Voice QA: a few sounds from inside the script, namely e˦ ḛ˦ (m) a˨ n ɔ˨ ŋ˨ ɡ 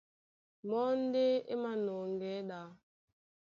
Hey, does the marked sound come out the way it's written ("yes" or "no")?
yes